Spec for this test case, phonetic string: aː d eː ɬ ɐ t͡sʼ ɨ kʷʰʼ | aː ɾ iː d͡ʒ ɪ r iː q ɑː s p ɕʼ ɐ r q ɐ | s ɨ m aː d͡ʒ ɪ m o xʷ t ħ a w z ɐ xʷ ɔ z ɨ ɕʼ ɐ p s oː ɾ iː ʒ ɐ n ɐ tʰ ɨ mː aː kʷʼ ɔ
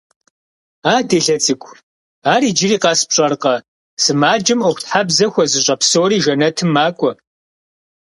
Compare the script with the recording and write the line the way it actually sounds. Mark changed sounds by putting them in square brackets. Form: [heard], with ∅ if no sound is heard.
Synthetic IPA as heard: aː d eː ɬ ɐ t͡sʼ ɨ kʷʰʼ | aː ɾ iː d͡ʒ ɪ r iː q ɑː s p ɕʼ ɐ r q ɐ | s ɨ m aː d͡ʒ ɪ m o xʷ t ħ a [b] z ɐ xʷ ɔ z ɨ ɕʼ ɐ p s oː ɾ iː ʒ ɐ n ɐ tʰ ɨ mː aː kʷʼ ɔ